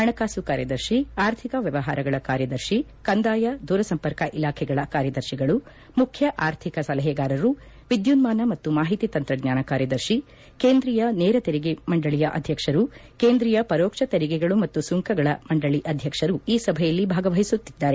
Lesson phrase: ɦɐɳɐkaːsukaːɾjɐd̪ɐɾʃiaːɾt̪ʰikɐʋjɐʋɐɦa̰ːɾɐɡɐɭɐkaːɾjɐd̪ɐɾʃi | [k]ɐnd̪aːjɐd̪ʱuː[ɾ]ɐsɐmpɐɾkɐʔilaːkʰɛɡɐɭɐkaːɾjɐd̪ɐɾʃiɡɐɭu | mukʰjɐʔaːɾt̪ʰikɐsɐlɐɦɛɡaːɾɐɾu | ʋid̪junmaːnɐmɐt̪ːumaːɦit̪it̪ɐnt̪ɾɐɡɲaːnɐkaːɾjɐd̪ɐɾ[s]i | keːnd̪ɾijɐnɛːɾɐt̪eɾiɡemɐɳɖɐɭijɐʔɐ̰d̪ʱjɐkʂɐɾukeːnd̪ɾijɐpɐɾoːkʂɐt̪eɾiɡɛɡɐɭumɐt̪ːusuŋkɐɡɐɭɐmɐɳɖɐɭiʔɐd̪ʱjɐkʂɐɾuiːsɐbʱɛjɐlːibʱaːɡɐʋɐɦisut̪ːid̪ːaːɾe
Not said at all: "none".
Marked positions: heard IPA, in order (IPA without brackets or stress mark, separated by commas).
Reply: k, ɾ, ʃ